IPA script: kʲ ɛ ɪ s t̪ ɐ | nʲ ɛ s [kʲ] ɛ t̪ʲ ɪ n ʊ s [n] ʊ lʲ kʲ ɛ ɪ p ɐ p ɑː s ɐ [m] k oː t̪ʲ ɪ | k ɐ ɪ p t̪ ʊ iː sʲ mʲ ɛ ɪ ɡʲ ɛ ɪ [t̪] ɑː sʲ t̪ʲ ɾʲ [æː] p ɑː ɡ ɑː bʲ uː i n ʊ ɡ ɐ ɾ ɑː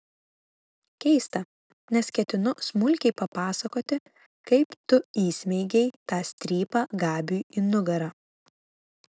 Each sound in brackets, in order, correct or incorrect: correct, incorrect, incorrect, correct, incorrect

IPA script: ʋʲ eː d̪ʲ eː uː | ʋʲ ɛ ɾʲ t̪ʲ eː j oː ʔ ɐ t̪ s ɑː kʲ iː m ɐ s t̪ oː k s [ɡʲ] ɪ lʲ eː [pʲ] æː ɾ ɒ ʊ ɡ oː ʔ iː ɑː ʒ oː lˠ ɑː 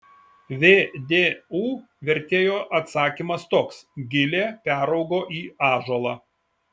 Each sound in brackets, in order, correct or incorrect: correct, correct

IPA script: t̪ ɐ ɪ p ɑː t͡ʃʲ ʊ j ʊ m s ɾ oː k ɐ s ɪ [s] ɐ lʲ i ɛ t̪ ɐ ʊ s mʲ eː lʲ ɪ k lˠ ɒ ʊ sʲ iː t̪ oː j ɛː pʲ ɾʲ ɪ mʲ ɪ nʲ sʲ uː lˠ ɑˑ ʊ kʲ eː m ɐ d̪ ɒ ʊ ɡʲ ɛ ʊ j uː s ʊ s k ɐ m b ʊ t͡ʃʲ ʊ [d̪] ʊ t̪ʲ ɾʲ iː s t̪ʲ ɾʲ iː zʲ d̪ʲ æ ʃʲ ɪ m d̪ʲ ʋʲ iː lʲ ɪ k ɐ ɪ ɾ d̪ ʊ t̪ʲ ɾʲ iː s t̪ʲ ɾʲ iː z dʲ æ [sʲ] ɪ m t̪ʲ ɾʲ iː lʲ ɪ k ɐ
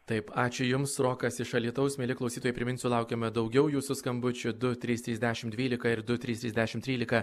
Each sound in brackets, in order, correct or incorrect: incorrect, correct, incorrect

